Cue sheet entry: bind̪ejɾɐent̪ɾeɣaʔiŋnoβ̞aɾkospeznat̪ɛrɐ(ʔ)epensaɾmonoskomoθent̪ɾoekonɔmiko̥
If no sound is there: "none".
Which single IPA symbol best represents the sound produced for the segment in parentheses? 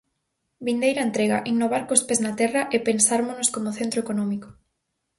ʔ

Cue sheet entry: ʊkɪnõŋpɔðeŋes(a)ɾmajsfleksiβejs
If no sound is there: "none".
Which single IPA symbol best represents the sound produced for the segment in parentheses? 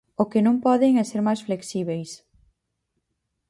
e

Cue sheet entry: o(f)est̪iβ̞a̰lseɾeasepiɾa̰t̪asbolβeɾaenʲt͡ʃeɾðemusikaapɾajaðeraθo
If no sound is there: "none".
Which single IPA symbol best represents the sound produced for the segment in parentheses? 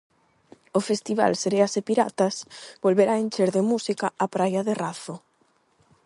f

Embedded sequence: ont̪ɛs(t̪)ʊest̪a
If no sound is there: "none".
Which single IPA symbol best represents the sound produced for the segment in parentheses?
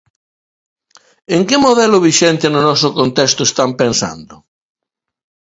t̪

